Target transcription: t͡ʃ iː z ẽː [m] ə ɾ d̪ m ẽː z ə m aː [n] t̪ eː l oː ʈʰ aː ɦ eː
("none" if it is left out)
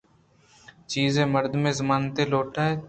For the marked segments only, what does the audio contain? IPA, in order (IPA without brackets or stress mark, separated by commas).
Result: m, n